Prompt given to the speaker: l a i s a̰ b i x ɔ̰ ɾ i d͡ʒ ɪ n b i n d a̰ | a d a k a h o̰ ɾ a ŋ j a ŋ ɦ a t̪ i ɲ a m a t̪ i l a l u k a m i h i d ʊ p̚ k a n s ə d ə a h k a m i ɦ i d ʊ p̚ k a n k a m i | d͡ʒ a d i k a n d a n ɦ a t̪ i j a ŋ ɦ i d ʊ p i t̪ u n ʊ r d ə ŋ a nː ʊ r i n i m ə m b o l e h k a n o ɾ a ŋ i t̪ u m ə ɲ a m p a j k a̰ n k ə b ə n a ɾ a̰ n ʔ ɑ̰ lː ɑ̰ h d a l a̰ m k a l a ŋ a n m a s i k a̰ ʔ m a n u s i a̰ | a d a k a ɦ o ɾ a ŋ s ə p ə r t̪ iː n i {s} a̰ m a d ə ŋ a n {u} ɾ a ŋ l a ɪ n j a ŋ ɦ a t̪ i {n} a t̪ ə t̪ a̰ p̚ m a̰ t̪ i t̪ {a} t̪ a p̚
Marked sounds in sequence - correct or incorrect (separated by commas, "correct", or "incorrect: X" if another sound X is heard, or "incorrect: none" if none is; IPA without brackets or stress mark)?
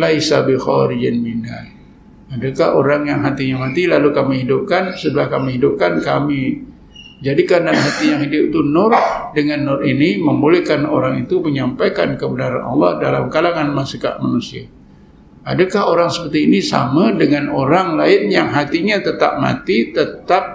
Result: correct, incorrect: o, incorrect: ɲ, incorrect: ə